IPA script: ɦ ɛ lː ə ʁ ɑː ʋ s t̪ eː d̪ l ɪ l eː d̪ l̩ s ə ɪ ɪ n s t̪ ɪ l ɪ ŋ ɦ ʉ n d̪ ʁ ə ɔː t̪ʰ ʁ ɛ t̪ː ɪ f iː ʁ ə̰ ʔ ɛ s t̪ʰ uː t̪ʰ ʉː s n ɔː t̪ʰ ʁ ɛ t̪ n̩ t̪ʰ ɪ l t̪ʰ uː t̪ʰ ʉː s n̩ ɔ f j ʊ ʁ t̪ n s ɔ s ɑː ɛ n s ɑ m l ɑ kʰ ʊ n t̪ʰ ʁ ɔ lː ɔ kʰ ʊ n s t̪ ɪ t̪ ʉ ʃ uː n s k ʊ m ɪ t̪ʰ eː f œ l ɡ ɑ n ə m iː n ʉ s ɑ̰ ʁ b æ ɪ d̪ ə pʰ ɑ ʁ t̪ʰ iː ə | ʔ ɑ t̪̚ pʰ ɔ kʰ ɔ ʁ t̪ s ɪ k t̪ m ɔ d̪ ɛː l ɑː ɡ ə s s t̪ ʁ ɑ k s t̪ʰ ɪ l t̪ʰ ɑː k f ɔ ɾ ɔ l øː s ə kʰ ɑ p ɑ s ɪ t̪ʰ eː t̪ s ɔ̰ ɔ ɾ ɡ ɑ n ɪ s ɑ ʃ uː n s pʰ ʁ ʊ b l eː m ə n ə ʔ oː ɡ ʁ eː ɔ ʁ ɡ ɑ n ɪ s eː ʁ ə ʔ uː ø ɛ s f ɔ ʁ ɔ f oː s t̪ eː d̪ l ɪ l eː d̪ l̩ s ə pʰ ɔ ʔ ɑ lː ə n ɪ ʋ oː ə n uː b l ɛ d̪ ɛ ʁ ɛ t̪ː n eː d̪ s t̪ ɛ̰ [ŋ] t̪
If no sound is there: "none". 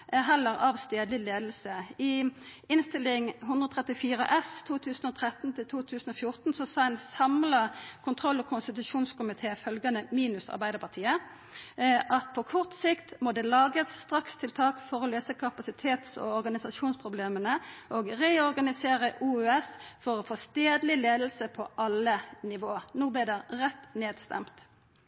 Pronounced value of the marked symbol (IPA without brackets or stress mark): m